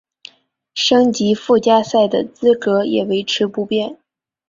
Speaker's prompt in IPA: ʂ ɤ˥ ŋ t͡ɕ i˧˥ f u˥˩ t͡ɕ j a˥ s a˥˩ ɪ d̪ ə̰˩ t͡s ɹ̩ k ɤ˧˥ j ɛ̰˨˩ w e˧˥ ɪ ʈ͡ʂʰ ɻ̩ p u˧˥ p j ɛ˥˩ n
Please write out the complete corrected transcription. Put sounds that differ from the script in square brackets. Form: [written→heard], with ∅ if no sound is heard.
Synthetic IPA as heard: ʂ ɤ˥ ŋ t͡ɕ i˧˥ f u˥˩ t͡ɕ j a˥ s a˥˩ ɪ d̪ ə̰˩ t͡s ɹ̩ k ɤ˧˥ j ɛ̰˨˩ w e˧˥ ɪ ʈ͡ʂʰ ɻ̩ p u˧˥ p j ɛ˥˩ n